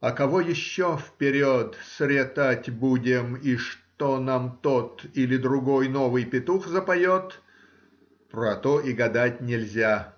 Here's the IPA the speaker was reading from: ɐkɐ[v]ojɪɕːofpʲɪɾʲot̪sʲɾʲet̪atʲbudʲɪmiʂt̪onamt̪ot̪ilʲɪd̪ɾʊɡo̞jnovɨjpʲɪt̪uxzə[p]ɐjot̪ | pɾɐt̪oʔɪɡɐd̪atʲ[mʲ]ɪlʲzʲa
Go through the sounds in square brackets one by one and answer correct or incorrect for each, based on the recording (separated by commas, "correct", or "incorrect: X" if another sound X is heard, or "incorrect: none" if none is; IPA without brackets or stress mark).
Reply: correct, correct, incorrect: nʲ